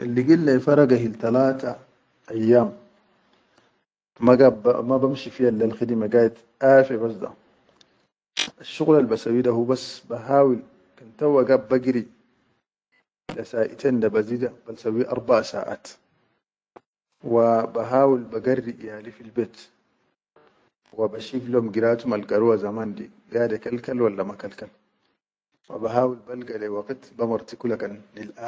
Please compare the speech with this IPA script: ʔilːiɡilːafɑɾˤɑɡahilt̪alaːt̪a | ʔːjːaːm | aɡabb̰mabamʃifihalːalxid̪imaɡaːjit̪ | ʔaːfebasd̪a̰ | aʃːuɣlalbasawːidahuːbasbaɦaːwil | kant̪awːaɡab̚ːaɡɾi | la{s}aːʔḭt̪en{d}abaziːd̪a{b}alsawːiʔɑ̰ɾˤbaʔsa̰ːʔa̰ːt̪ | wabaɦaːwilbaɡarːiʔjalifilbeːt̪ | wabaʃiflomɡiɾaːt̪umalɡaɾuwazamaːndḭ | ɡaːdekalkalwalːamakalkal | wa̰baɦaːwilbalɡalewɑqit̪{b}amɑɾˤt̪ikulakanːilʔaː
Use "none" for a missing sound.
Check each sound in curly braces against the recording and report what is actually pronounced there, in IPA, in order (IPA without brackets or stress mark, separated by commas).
s, d, b, b